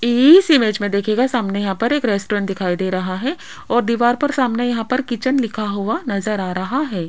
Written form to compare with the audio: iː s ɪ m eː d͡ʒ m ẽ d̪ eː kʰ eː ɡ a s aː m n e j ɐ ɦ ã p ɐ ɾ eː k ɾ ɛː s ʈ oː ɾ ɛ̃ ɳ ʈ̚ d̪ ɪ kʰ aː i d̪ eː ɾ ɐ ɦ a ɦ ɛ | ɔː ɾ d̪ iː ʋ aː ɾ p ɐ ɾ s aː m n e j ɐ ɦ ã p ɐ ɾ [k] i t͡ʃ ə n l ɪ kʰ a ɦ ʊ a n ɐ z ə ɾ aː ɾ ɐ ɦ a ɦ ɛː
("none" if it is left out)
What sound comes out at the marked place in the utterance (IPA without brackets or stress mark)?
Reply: k